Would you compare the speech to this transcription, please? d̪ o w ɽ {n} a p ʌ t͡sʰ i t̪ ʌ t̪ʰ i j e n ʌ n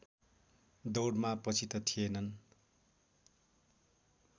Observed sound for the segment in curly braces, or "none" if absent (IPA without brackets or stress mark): m